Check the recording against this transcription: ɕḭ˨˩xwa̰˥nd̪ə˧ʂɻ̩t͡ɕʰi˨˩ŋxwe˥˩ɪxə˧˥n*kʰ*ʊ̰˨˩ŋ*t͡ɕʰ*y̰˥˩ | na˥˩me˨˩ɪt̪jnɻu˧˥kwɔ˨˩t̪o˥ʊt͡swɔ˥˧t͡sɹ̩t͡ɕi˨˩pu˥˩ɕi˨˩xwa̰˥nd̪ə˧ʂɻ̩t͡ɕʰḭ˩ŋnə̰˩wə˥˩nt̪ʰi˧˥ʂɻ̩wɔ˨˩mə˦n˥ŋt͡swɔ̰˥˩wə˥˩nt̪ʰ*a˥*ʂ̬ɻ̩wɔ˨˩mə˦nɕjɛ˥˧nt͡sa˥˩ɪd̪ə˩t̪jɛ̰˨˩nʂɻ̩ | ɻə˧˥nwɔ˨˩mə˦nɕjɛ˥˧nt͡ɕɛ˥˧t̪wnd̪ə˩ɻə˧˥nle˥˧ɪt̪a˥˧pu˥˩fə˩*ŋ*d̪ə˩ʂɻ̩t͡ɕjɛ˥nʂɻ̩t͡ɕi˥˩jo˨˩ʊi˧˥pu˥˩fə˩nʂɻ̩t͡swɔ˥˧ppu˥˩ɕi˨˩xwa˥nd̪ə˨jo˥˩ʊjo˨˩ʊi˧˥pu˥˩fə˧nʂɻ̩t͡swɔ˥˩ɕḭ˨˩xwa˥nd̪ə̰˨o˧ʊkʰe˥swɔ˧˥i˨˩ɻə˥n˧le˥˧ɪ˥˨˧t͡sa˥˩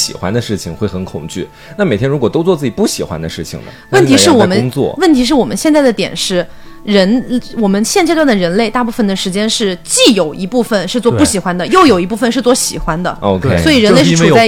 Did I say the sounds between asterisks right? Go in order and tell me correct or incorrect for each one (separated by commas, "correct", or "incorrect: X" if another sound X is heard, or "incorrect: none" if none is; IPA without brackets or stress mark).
correct, incorrect: t͡ɕ, incorrect: i˥, incorrect: n